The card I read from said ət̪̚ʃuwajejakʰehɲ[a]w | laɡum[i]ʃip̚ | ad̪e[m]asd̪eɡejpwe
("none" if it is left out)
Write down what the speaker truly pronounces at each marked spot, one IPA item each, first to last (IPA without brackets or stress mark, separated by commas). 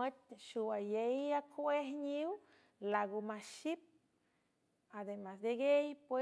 i, a, m